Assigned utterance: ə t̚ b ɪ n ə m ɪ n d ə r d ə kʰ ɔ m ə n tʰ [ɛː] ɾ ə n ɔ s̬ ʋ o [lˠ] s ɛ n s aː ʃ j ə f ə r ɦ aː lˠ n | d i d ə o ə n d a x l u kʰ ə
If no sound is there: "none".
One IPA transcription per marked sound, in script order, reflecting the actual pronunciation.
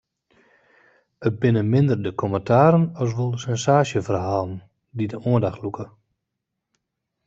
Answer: aː, lˠ

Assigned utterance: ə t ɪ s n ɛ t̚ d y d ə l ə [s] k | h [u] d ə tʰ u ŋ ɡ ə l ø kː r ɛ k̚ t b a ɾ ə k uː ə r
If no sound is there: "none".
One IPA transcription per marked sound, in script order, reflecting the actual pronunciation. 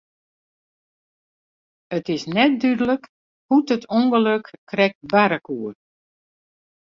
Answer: none, u

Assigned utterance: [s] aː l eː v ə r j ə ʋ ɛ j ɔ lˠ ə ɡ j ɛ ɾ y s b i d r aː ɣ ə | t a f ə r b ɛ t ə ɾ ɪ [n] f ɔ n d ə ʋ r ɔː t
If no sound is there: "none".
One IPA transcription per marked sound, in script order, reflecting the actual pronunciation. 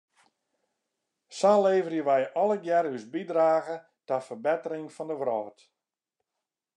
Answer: s, ŋ

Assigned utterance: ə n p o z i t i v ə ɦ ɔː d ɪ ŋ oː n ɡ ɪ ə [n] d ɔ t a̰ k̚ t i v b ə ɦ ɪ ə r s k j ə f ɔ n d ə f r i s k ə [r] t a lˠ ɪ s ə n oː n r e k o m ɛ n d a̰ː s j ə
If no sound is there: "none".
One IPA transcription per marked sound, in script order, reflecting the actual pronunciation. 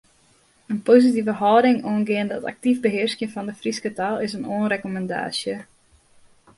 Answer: n, none

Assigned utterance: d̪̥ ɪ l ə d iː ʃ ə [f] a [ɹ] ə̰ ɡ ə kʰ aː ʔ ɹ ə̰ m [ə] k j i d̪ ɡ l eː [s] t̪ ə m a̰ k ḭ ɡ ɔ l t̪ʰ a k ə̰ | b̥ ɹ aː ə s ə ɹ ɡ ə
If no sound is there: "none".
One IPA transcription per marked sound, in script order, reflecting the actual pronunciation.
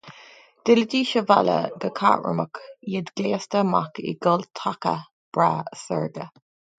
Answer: v, l, ə, s

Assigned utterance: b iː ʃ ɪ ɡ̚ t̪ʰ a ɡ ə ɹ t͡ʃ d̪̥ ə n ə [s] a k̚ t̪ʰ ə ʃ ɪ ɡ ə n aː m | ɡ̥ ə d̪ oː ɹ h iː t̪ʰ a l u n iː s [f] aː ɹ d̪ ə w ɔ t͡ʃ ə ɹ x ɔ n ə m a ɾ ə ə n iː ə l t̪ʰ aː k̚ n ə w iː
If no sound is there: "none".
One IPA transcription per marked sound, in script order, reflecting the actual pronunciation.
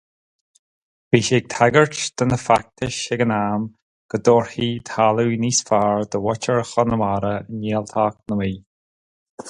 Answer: f, f

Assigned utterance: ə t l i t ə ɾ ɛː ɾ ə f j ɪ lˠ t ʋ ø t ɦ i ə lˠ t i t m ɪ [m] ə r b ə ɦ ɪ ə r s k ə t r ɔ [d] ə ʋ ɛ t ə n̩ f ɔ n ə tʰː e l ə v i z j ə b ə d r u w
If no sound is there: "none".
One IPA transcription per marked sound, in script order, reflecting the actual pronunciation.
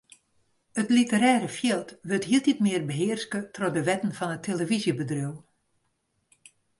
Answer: none, d

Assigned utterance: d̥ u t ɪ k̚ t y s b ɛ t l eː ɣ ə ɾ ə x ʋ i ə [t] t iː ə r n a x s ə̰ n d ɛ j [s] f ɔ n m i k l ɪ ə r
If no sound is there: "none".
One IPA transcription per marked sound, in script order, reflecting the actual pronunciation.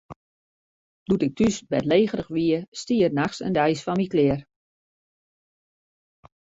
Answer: s, s

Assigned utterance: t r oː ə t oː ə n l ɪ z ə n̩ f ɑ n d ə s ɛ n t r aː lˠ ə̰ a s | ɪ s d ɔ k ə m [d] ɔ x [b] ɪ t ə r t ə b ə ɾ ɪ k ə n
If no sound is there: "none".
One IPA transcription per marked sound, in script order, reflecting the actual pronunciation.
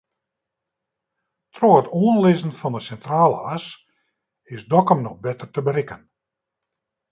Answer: n, b

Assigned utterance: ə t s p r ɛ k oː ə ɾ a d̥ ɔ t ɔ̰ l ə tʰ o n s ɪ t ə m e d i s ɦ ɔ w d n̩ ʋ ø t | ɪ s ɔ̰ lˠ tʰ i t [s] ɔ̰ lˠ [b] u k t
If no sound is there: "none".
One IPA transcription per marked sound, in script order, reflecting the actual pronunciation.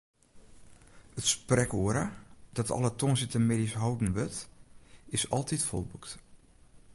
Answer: f, b

